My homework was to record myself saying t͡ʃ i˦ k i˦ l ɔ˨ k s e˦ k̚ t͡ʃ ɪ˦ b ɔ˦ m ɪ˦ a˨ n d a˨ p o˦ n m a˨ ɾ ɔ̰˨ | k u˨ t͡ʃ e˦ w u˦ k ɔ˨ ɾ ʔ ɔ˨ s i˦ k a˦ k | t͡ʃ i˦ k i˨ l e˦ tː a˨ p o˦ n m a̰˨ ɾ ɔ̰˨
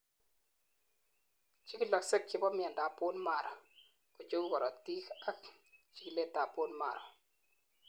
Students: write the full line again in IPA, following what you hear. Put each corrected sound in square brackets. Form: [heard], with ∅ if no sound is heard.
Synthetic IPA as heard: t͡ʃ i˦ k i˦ l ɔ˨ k s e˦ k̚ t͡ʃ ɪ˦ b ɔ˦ m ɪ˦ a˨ n d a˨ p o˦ n m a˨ ɾ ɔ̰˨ | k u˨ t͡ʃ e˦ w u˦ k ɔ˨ ɾ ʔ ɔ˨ [t] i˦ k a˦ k | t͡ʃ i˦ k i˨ l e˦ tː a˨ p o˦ n m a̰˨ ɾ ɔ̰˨